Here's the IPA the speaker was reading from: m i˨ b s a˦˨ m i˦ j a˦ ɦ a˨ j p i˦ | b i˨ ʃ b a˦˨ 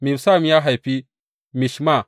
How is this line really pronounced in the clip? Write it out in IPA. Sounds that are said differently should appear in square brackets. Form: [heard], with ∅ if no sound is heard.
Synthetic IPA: m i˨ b s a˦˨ m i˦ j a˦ ɦ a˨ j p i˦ | [m] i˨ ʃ [m] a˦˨

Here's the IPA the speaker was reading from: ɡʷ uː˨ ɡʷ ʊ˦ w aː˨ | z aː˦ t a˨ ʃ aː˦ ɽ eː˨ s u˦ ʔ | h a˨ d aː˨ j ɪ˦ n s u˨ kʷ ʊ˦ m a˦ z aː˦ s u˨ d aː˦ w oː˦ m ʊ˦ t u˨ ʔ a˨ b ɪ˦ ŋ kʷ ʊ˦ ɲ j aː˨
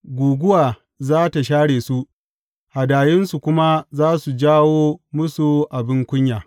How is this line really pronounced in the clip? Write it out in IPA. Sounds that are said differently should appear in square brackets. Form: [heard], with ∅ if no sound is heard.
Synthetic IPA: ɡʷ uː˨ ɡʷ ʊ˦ w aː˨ | z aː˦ t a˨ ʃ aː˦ ɽ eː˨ s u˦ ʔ | h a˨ d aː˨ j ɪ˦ n s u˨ kʷ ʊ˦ m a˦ z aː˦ s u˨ [d͡ʒ] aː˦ w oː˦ m ʊ˦ [s] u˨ ʔ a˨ b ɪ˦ ŋ kʷ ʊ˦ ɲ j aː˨

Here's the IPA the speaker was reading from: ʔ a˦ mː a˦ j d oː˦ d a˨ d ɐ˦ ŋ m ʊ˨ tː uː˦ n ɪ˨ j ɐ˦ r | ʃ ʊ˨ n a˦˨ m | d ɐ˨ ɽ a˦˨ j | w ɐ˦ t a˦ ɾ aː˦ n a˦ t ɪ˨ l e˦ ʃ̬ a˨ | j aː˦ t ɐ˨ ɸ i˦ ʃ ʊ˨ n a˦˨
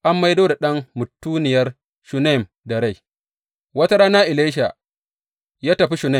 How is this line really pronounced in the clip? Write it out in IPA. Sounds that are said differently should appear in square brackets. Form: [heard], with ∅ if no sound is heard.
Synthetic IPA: ʔ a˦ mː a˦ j d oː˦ d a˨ [ɗ] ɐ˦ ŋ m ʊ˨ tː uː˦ n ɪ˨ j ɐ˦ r | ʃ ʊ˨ n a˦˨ m | d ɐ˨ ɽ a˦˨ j | w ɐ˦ t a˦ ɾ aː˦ n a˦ [ʔ] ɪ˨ l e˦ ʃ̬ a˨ | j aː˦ t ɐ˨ ɸ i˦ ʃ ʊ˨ n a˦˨

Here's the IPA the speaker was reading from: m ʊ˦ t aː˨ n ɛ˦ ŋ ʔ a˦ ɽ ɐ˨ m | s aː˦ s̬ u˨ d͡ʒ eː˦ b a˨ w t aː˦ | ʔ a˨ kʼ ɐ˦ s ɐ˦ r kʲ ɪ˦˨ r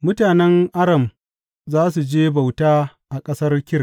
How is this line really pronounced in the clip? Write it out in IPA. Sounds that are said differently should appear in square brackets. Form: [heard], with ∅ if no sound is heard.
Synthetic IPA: m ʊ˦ t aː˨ n ɛ˦ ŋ ʔ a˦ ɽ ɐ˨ m | [z] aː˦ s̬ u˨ d͡ʒ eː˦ b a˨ w t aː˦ | ʔ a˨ kʼ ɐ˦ s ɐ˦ r kʲ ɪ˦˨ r

